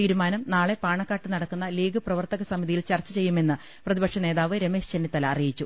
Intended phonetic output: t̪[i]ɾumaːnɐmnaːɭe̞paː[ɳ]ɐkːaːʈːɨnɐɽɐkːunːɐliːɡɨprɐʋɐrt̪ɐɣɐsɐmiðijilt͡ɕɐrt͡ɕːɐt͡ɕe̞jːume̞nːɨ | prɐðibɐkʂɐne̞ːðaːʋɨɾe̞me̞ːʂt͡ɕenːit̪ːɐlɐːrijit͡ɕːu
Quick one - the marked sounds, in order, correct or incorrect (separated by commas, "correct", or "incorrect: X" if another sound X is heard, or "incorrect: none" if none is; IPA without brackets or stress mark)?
incorrect: iː, correct